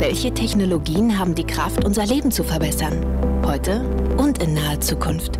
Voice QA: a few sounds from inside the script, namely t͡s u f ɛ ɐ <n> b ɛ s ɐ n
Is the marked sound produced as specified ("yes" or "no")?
no